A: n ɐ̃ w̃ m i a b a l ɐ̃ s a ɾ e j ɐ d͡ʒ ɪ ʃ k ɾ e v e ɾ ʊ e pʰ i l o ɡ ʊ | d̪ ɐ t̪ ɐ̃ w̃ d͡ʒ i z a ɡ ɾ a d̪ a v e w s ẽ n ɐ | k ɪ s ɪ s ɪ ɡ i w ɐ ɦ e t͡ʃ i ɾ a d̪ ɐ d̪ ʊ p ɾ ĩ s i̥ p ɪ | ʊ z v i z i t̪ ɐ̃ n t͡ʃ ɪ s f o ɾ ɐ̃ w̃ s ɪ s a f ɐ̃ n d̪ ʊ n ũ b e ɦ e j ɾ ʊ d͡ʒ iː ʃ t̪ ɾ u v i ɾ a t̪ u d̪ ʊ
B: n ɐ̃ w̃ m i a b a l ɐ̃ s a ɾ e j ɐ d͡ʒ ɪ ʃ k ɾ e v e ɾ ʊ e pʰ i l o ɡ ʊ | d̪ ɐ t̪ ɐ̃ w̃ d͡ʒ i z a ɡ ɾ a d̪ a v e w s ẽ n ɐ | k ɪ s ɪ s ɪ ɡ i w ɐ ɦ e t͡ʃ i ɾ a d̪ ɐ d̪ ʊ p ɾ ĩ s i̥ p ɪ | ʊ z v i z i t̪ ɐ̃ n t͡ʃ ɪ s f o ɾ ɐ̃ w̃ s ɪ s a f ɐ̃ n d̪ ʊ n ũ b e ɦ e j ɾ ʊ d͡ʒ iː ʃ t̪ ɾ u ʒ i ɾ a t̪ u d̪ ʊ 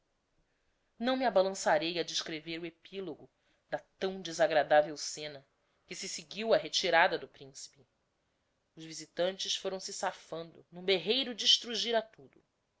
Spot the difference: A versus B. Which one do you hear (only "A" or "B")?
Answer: B